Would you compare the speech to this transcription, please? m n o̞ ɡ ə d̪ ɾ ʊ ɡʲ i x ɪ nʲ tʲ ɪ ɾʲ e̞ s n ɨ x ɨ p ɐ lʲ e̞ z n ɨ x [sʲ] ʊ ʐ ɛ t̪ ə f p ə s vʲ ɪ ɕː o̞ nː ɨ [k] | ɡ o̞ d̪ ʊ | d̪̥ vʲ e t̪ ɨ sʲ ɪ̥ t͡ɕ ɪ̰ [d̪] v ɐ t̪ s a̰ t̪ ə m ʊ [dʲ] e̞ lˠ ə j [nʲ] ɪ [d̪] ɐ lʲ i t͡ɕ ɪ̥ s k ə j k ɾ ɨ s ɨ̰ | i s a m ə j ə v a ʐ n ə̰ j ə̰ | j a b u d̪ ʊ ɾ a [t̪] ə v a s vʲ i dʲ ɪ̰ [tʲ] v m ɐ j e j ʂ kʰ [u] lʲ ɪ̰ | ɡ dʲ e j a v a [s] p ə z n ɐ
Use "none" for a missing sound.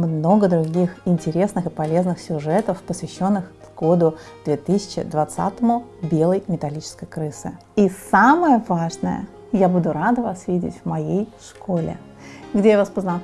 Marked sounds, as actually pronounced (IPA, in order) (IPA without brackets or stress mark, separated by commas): sʲ, x, d̪, bʲ, mʲ, t̪, d̪, tʲ, o, s